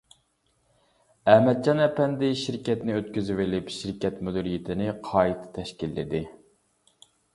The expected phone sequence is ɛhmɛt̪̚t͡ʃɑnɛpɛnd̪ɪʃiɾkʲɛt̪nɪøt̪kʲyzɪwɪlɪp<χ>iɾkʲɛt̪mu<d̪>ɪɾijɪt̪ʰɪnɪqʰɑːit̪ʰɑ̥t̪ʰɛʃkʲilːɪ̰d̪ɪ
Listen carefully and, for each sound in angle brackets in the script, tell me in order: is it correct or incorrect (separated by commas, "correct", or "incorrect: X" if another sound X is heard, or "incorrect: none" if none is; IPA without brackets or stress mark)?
incorrect: ʃ, correct